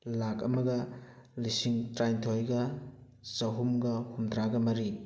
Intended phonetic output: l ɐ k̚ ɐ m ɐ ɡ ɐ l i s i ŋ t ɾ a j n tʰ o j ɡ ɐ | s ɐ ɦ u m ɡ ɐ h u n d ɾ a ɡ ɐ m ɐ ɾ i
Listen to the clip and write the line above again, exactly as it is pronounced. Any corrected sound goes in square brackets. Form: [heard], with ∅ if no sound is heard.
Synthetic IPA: l [a] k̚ ɐ m ɐ ɡ ɐ l i s i ŋ t ɾ a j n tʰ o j ɡ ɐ | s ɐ ɦ u m ɡ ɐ h u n d ɾ a ɡ ɐ m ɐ ɾ i

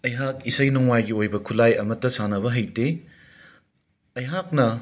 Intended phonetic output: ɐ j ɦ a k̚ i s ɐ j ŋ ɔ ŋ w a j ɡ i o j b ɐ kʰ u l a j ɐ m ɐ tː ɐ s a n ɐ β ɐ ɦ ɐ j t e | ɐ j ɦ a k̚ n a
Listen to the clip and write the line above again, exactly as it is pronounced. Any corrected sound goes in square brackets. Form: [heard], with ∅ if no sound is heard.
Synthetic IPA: ɐ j ɦ a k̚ i s ɐ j [n] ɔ ŋ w a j ɡ i o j b ɐ kʰ u l a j ɐ m ɐ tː ɐ s a n ɐ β ɐ ɦ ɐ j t e | ɐ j ɦ a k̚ n [ɐ]

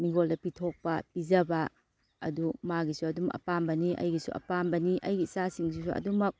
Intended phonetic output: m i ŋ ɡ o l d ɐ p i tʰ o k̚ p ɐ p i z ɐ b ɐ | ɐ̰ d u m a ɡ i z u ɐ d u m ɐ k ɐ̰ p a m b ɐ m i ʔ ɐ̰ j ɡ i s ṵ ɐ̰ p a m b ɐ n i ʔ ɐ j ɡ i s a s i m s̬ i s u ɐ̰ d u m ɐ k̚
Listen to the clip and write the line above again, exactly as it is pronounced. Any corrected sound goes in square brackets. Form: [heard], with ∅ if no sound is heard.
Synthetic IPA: m i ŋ ɡ o l d ɐ p i tʰ o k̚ p ɐ p i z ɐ b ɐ | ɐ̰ d u m a ɡ i [s] u ɐ d u m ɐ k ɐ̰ p a m b ɐ [n] i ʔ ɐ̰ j ɡ i s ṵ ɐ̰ p a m b ɐ n i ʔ ɐ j ɡ i s a s i [ŋ] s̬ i s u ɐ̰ d u m ɐ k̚

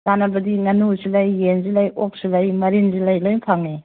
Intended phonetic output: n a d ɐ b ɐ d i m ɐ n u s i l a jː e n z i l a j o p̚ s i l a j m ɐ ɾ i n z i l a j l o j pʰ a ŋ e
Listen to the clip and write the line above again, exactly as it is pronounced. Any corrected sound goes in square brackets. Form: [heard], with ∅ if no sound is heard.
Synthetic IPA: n a [n] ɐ b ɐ d i [ŋ] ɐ n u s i l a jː e n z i l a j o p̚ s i l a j m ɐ ɾ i n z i l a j l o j pʰ a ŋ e

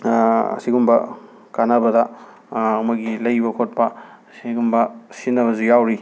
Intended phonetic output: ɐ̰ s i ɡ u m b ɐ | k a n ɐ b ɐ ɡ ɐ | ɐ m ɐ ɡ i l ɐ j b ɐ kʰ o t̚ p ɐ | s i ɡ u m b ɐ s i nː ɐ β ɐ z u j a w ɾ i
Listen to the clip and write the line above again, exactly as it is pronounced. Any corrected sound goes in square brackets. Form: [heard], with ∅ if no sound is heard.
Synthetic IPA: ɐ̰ s i ɡ u m b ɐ | k a n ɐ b ɐ [d] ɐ | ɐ m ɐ ɡ i l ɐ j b ɐ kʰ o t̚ p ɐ | s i ɡ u m b ɐ s i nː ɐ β ɐ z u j a w ɾ i

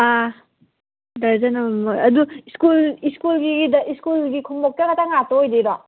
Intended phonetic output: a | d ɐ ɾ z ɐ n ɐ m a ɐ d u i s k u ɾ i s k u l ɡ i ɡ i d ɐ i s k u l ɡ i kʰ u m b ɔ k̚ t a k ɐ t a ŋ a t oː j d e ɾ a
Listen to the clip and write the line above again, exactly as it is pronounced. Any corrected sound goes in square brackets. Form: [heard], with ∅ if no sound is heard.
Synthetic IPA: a | d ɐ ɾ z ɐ n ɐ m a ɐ d u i s k u [l] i s k u l ɡ i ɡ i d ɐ i s k u l ɡ i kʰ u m b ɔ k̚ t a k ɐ t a ŋ a t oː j d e ɾ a

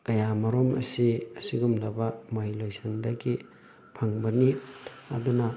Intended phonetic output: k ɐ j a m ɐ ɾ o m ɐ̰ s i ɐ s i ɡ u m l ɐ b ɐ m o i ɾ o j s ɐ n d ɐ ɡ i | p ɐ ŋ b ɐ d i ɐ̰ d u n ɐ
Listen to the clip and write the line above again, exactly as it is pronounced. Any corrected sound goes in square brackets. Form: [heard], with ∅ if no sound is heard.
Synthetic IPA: k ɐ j a m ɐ ɾ o m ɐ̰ s i ɐ s i ɡ u m l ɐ b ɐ m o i [l] o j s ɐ n d ɐ ɡ i | [pʰ] ɐ ŋ b ɐ [n] i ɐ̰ d u n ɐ

